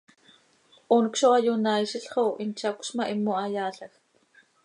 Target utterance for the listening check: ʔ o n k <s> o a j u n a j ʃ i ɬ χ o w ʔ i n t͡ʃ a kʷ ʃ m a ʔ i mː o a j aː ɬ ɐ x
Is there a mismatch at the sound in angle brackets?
yes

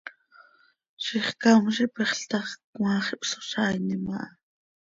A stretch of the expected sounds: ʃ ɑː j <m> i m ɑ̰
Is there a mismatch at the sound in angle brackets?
yes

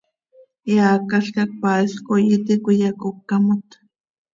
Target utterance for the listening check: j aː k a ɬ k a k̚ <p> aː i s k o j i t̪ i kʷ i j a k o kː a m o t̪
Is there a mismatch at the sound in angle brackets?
no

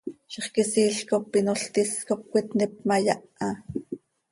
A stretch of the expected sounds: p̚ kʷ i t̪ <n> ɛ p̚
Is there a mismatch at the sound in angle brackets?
no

